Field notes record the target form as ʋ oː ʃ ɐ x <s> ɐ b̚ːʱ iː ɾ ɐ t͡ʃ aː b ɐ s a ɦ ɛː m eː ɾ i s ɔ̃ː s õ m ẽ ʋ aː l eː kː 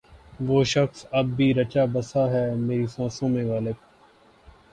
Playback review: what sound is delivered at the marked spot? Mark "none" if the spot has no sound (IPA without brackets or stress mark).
s